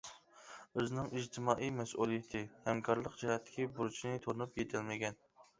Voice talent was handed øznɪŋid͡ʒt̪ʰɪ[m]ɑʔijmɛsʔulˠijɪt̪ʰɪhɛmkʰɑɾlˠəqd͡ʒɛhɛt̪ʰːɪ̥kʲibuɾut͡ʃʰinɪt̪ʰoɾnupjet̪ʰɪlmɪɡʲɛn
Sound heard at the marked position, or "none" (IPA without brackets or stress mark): m